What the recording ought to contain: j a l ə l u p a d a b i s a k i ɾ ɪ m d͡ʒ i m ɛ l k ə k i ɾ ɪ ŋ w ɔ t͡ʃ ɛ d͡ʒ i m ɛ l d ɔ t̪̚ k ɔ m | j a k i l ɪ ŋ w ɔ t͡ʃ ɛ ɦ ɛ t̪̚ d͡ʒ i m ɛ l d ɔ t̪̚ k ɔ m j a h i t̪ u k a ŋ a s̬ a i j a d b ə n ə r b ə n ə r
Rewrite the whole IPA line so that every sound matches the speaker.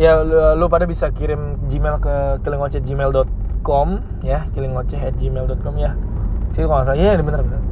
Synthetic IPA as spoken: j a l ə l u p a d a b i s a k i ɾ ɪ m d͡ʒ i m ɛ l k ə k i l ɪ ŋ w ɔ t͡ʃ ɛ d͡ʒ i m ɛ l d ɔ t̪̚ k ɔ m | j a k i l ɪ ŋ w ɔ t͡ʃ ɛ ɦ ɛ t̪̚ d͡ʒ i m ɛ l d ɔ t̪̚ k ɔ m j a s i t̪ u k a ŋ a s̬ a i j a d b ə n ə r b ə n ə r